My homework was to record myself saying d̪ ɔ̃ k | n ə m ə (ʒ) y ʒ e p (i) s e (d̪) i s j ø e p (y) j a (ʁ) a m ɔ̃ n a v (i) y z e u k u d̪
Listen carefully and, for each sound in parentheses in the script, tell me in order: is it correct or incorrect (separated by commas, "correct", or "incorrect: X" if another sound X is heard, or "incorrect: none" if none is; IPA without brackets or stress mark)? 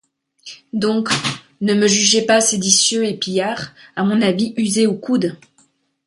correct, incorrect: a, correct, incorrect: i, correct, correct